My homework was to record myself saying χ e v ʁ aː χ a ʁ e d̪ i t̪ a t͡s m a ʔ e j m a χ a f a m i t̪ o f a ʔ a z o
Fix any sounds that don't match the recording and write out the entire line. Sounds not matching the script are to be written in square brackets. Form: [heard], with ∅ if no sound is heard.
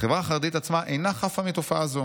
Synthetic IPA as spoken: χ e v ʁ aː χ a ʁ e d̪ i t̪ a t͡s m a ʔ e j [n] a χ a f a m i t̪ o f a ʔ a z o

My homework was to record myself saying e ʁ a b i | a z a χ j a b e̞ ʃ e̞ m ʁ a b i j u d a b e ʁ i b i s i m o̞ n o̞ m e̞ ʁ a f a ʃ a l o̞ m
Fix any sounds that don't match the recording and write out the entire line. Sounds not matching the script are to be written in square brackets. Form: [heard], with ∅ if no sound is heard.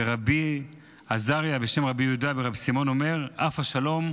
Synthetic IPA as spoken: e ʁ a b i | a z a [ʁ] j a b e̞ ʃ e̞ m ʁ a b i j u d a b e ʁ [a] b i s i m o̞ n o̞ m e̞ ʁ a f a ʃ a l o̞ m

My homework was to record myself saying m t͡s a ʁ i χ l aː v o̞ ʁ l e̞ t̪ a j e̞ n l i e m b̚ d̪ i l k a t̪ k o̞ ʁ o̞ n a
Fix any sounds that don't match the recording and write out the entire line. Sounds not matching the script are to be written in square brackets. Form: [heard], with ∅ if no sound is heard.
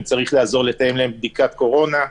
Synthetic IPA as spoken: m t͡s a ʁ i χ l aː [z] o̞ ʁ l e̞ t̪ a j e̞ [m] l [a] e m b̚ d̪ i [∅] k a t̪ k o̞ ʁ o̞ n a

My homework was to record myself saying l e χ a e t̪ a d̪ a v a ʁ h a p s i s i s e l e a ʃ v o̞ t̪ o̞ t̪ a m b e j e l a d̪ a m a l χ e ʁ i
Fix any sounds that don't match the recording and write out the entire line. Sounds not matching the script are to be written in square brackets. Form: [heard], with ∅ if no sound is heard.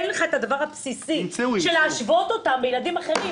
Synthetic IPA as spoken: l e χ a e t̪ a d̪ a v a ʁ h a p s i s i [ʃ] e l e a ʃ v o̞ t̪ o̞ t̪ a m b e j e l a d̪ [i] m a [∅] χ e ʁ i

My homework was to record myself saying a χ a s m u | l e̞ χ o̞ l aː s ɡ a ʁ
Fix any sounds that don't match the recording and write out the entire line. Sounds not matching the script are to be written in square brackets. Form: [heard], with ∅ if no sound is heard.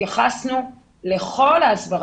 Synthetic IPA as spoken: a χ a s [n] u | l e̞ χ o̞ l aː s [b] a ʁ

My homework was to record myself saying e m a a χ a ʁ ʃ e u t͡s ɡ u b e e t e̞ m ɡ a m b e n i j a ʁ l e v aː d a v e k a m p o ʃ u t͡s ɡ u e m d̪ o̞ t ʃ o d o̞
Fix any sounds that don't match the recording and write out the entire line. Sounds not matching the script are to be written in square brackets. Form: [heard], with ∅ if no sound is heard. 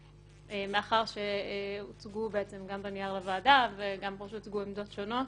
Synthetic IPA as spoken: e m [e] a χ a ʁ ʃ e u t͡s ɡ u b e e [t͡s] e̞ m ɡ a m b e n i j a ʁ l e v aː d a v e [ɡ] a m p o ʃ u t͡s ɡ u e m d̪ o̞ t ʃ o [n] o̞

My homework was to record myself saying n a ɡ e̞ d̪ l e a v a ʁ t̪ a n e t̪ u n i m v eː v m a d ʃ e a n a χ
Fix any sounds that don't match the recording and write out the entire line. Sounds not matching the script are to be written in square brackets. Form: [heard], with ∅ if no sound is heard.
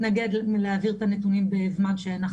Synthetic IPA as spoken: n a ɡ e̞ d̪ l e a v [i] ʁ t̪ a n e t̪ u n i m [b] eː v m a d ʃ e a n a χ

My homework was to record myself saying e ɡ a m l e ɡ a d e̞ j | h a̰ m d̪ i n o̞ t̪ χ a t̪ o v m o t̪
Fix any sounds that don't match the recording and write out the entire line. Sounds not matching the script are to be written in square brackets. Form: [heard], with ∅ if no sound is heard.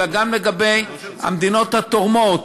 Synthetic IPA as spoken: [a] ɡ a m l e ɡ a [b] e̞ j | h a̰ m d̪ i n o̞ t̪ [h] a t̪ o [ʁ] m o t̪

